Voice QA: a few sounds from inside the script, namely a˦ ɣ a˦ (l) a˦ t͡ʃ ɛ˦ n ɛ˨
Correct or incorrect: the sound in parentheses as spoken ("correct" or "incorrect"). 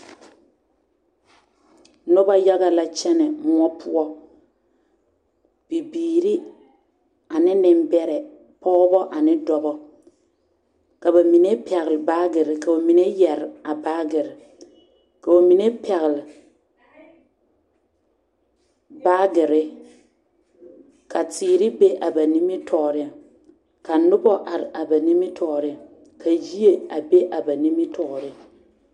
correct